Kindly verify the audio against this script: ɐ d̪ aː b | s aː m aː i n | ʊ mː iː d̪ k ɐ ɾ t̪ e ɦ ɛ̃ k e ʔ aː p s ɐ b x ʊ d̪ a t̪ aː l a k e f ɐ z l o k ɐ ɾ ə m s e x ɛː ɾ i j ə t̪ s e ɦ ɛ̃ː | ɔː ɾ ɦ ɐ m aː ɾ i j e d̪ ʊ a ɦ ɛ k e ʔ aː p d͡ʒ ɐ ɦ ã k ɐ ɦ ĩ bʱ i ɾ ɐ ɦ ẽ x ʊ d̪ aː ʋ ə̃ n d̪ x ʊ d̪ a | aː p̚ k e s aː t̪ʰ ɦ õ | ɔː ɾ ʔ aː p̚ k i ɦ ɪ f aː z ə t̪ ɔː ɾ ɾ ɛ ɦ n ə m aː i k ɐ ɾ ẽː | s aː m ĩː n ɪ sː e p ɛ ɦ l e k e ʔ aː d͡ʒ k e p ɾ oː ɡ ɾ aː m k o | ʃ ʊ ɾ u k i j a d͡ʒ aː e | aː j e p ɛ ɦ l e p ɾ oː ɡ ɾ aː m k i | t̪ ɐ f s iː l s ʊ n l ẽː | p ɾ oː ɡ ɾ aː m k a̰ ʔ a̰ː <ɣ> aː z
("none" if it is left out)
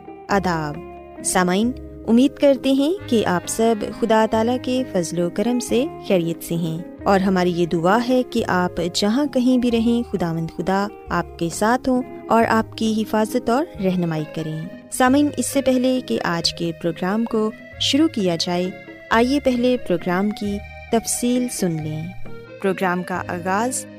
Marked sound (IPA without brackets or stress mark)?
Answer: ɣ